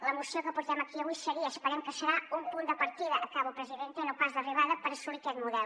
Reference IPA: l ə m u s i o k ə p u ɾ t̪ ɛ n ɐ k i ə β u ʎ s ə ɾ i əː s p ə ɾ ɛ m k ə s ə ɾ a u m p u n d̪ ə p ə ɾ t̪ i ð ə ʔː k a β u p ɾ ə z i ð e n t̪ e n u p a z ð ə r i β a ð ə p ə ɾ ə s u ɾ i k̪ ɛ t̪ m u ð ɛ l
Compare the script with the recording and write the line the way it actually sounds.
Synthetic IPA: l ə m u s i o k ə p u ɾ t̪ ɛ m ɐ k i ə β u j s ə ɾ i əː s p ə ɾ ɛ m k ə s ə ɾ a u m p u n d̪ ə p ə ɾ t̪ i ð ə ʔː k a β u p ɾ ə z i ð e n t̪ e n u p a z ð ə r i β a ð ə p ə ɾ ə s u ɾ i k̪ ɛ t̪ m u ð ɛ l